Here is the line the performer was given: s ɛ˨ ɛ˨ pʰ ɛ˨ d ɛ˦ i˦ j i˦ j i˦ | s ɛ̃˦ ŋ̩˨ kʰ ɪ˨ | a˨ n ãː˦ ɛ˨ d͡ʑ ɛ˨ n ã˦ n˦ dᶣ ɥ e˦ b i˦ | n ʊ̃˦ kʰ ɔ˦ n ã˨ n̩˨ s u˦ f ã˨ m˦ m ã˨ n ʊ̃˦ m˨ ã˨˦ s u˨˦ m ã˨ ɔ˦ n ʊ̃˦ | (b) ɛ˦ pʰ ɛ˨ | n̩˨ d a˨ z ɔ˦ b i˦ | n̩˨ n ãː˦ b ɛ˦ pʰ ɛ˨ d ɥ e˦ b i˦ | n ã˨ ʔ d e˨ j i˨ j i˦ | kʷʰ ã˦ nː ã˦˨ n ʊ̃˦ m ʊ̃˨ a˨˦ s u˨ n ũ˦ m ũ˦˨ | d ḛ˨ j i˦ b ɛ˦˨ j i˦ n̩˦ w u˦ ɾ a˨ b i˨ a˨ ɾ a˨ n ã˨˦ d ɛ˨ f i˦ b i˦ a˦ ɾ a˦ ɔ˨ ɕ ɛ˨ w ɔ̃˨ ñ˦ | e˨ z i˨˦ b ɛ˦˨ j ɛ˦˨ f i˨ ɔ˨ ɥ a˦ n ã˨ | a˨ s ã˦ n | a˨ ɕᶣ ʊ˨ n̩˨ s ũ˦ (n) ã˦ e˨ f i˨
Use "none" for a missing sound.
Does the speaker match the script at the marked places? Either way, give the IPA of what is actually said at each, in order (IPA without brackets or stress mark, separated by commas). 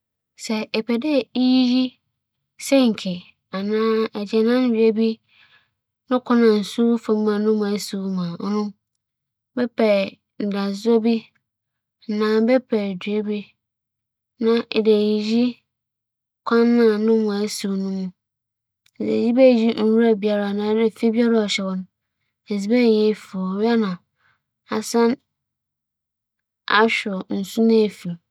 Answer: b, n